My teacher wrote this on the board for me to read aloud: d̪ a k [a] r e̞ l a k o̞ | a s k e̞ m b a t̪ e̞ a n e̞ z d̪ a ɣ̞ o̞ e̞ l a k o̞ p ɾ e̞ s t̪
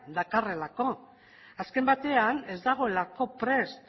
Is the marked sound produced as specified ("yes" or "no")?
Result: yes